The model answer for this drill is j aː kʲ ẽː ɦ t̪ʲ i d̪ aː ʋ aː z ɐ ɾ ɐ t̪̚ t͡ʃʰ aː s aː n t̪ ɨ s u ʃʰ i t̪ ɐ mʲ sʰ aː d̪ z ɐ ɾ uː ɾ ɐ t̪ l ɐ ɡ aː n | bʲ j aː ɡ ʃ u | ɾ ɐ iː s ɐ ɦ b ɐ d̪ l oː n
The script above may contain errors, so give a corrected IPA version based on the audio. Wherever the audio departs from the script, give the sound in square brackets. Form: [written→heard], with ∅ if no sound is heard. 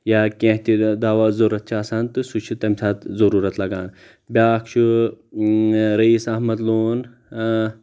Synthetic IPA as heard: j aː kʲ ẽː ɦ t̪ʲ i d̪ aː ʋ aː z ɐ ɾ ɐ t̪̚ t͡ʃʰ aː s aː n t̪ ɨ s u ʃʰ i t̪ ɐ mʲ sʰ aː [d̪→t̪] z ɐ ɾ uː ɾ ɐ t̪ l ɐ ɡ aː n | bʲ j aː [ɡ→k] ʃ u | ɾ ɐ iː s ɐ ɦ [b→m] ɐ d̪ l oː n